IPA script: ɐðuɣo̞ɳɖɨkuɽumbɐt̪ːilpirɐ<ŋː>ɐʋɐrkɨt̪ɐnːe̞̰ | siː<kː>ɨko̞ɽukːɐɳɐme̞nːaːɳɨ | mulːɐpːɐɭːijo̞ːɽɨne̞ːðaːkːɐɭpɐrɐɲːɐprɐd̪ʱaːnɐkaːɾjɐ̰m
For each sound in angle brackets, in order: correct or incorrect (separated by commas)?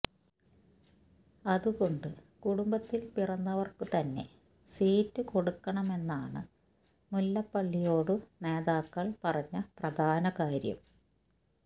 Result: incorrect, incorrect